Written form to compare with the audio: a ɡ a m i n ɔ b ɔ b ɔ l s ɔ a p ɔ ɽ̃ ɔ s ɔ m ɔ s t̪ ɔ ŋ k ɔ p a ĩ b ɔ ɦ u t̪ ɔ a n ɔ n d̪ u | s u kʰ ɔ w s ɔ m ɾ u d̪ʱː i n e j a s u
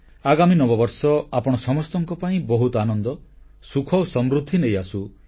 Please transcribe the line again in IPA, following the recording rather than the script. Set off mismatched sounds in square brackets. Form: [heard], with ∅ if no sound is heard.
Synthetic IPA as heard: a ɡ a m i n ɔ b ɔ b ɔ [ɾ] s ɔ a p ɔ ɽ̃ ɔ s ɔ m ɔ s t̪ ɔ ŋ k ɔ p a ĩ b ɔ ɦ u t̪ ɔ a n ɔ n d̪ [ɔ] | s u kʰ ɔ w s ɔ m ɾ u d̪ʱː i n e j a s u